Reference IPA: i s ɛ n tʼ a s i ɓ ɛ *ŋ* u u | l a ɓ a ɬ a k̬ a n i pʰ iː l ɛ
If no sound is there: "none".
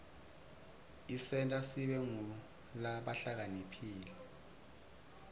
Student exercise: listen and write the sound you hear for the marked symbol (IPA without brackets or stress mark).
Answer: ŋ